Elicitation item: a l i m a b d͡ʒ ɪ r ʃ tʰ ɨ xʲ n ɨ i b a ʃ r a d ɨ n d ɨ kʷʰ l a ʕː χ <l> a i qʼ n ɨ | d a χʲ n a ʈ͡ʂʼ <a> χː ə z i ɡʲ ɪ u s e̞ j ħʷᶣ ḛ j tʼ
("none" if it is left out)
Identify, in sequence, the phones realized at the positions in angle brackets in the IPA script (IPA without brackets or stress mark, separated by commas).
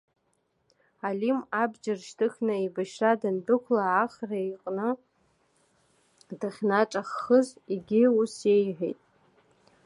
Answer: r, a